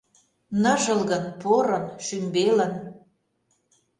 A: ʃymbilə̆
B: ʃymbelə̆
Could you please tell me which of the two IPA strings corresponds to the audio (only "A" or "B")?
B